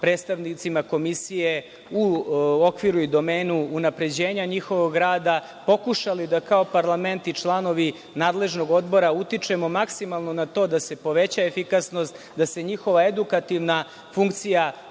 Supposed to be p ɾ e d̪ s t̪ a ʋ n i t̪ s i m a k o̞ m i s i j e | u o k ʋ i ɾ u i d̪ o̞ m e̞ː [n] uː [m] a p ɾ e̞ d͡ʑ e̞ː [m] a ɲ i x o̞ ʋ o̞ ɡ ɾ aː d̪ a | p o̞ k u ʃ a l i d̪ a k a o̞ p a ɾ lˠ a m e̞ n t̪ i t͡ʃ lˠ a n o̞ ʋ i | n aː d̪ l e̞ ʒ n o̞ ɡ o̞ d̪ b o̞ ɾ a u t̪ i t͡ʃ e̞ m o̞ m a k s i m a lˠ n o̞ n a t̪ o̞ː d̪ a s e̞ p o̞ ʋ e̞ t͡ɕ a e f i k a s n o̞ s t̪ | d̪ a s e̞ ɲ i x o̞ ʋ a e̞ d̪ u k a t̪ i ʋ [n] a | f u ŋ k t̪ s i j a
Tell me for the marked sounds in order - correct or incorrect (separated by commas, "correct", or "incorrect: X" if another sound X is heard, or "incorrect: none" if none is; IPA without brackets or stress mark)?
correct, incorrect: n, incorrect: ɲ, correct